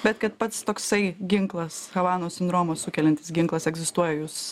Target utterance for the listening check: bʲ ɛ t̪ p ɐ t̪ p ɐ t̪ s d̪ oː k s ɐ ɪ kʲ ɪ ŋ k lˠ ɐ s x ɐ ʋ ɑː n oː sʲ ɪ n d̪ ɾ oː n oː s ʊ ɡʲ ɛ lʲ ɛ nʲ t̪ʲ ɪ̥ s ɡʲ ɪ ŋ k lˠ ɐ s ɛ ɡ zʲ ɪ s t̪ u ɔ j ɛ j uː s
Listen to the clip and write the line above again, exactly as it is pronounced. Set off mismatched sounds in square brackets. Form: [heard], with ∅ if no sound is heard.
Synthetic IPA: bʲ ɛ t̪ [k] ɐ t̪ p ɐ t̪ s [t̪] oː k s ɐ ɪ [ɡʲ] ɪ ŋ k lˠ ɐ s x ɐ ʋ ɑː n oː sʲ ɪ n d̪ ɾ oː [m] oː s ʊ [kʲ] ɛ lʲ ɛ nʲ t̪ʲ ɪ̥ s ɡʲ ɪ ŋ k lˠ ɐ s ɛ ɡ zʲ ɪ s t̪ u ɔ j ɛ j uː s